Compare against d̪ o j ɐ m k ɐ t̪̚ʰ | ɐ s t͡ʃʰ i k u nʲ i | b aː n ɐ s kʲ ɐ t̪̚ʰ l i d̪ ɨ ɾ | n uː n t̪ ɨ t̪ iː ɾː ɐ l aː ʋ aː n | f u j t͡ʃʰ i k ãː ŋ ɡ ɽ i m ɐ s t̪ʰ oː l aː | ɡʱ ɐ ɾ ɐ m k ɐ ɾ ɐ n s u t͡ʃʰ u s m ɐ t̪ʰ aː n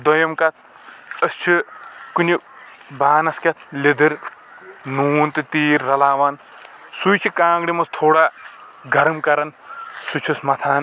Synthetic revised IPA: d̪ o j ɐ m k ɐ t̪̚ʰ | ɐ s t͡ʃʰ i k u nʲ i | b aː n ɐ s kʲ ɐ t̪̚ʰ l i d̪ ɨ ɾ | n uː n t̪ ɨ t̪ iː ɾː ɐ l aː ʋ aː n | s u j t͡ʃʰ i k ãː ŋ ɡ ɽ i m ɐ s t̪ʰ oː ɽ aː | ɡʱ ɐ ɾ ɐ m k ɐ ɾ ɐ n s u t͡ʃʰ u s m ɐ t̪ʰ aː n